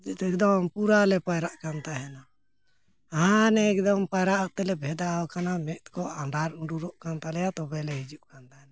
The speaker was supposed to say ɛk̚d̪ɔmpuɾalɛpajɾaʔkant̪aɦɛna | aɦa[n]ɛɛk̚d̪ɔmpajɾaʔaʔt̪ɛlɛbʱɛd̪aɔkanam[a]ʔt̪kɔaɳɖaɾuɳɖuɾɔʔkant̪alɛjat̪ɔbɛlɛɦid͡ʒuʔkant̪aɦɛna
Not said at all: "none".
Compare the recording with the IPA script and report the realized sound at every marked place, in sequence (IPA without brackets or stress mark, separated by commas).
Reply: n, ɛ